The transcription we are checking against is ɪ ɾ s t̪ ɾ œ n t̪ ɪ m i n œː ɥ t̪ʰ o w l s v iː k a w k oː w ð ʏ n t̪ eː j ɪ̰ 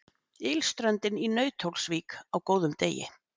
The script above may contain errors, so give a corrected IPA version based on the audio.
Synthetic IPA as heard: ɪ l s t̪ ɾ œ n t̪ ɪ n i n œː ɥ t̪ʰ o w l s v iː k a w k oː w ð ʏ m t̪ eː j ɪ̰